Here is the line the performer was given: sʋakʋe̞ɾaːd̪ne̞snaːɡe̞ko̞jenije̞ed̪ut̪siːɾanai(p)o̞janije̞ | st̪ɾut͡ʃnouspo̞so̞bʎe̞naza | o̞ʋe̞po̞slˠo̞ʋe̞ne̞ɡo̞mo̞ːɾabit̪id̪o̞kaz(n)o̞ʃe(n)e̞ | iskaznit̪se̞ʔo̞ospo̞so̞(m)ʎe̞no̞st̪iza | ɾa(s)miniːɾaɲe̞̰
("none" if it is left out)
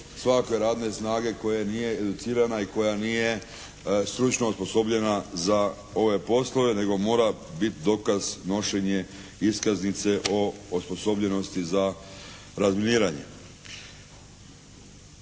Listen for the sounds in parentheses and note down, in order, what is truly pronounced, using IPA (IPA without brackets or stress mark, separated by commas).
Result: k, n, ɲ, b, z